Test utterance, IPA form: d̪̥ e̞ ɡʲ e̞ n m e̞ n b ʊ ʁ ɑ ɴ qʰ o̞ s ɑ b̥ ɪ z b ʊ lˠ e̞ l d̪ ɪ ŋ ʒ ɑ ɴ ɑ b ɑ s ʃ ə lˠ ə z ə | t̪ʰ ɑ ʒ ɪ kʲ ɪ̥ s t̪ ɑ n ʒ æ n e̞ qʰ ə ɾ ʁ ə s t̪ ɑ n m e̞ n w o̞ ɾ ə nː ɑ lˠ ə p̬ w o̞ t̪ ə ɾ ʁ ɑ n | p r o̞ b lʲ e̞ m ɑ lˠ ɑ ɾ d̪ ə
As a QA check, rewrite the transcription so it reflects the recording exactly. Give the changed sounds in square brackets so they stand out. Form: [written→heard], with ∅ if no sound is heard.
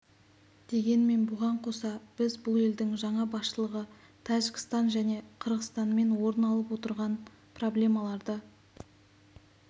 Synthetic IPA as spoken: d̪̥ e̞ ɡʲ e̞ n m e̞ n b ʊ ʁ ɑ ɴ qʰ o̞ s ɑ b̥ ɪ z b ʊ lˠ e̞ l d̪ ɪ ŋ ʒ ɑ ɴ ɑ b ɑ s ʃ ə lˠ ə [z→ʁ] ə | t̪ʰ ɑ ʒ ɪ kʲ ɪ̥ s t̪ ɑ n ʒ æ n e̞ qʰ ə ɾ ʁ ə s t̪ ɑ n m e̞ n w o̞ ɾ ə [nː→n] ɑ lˠ ə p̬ w o̞ t̪ ə ɾ ʁ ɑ n | p r o̞ b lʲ e̞ m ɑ lˠ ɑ ɾ d̪ ə